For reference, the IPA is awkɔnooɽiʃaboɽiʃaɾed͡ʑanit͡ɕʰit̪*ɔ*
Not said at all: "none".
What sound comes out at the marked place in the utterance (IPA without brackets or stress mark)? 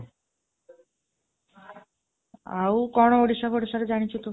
o